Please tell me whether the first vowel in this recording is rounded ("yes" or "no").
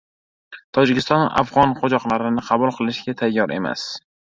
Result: yes